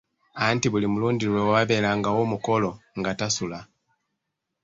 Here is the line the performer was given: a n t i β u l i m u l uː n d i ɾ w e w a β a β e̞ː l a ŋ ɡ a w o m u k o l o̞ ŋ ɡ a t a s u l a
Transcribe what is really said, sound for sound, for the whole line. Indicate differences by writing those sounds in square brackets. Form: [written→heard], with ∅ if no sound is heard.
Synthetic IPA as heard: a n t i β u l i m u l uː n d i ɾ w e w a β a β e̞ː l a ŋ ɡ a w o m u k o l o̞ ŋ ɡ a t a s u l a